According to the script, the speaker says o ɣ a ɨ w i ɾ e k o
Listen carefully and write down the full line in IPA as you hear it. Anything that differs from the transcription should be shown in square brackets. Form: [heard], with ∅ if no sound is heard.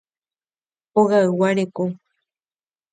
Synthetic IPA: o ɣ a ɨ w [a] ɾ e k o